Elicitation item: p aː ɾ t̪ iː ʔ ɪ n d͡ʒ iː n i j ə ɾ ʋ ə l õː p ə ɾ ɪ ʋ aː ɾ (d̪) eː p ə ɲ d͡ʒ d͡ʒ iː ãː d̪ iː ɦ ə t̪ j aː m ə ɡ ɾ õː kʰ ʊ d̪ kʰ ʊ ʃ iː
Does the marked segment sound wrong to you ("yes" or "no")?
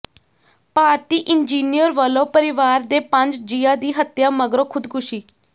no